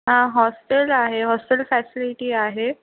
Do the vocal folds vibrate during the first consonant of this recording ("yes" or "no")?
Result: yes